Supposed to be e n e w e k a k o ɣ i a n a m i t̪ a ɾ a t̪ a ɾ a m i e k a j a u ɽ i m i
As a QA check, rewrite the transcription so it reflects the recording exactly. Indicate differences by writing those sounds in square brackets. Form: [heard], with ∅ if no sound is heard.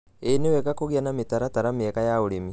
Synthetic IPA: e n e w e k a k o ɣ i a n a m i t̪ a ɾ a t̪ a ɾ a m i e k a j a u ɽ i m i